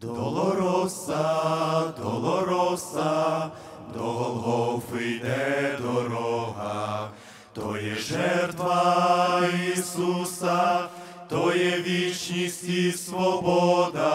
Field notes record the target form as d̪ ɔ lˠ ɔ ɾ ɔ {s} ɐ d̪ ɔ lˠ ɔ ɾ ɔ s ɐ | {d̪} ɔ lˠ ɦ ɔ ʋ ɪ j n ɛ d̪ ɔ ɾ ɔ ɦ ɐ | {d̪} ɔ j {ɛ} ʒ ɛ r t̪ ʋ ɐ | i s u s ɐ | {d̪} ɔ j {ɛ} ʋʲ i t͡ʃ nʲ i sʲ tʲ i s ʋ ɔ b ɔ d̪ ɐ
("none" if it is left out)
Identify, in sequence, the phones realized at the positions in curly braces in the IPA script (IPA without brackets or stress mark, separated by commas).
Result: s, d̪, t̪, ɛ, t̪, ɛ